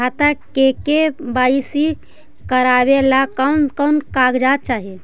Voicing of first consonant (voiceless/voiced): voiceless